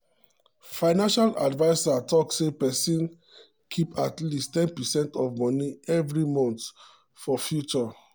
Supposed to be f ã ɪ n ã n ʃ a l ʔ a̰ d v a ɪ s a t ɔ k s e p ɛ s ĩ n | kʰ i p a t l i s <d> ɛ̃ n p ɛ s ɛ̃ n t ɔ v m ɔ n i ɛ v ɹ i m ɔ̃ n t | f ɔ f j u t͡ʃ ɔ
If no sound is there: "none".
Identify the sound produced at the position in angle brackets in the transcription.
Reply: t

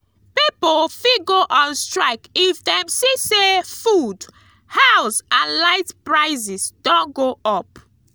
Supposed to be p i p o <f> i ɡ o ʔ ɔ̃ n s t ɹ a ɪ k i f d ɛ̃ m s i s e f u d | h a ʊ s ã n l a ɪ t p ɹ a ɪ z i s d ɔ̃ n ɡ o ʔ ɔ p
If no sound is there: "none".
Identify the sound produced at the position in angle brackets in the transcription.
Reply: f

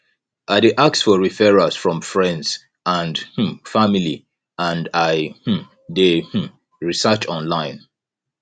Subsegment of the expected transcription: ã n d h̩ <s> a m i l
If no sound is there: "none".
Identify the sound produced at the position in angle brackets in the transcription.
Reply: f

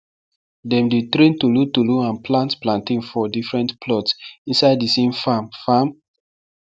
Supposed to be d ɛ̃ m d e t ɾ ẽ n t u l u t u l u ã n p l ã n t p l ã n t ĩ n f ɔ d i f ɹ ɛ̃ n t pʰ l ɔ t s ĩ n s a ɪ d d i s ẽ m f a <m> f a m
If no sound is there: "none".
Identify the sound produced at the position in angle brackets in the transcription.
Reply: m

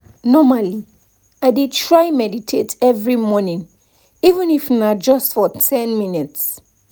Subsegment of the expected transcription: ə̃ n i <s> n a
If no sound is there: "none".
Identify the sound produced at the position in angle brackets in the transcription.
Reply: f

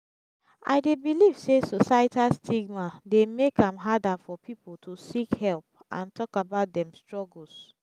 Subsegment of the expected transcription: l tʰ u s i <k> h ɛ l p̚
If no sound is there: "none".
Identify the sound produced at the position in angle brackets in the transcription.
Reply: k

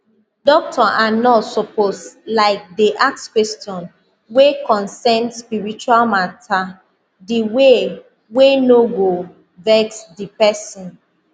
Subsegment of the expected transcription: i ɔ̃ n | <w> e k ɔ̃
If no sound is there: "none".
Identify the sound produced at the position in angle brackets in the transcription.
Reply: w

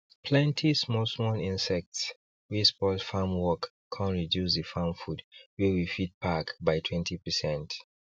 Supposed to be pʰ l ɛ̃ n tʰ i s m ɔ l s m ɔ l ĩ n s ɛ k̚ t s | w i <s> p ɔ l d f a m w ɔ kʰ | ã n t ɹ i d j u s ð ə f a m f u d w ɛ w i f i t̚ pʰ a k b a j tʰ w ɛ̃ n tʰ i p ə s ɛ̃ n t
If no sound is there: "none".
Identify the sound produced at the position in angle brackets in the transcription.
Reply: s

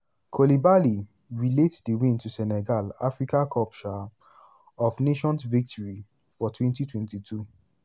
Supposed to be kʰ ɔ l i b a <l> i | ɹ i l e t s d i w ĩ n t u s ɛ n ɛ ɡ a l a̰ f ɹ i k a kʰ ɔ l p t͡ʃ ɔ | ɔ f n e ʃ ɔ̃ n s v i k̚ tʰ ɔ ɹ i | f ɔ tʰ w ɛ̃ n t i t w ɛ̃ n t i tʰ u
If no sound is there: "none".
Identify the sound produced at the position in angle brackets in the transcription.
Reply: l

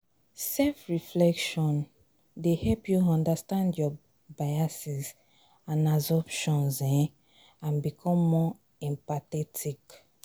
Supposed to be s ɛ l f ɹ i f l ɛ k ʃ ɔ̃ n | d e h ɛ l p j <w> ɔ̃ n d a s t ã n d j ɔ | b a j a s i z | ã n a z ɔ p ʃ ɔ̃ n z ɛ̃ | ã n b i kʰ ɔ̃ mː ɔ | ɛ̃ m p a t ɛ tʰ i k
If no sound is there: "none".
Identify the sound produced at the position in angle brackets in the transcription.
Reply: u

